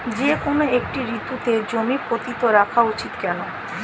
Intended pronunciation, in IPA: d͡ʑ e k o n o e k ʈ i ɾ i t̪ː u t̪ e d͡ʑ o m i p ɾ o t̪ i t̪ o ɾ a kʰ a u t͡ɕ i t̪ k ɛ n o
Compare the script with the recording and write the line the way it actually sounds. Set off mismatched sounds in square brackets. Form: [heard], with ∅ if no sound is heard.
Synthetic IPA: d͡ʑ e k o n o e k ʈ i ɾ i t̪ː u t̪ e d͡ʑ o m i p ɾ o t̪ i t̪ o ɾ a kʰ a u t͡ɕ i t̪ k ɛ n o